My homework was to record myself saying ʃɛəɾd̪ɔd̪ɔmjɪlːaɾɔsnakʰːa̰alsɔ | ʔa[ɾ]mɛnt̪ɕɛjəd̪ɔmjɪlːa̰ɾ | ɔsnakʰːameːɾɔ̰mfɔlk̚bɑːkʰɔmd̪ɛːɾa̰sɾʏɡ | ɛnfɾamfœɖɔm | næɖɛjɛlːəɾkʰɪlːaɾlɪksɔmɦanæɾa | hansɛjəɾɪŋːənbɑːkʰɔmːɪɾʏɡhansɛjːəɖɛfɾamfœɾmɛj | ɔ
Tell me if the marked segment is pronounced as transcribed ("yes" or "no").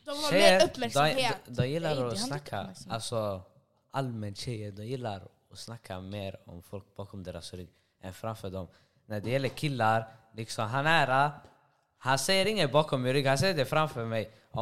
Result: no